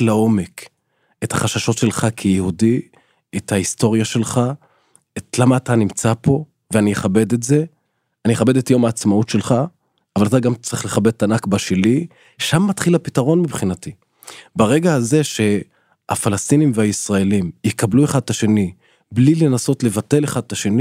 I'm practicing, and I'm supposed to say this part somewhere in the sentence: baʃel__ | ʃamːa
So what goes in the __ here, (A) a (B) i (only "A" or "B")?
B